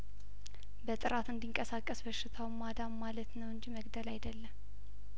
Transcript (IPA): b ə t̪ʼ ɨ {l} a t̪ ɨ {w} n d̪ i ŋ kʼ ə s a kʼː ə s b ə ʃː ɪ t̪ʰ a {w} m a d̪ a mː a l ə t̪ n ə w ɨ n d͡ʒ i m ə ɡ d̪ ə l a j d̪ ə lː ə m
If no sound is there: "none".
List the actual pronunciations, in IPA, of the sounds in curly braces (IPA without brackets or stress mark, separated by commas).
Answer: ɾ, none, w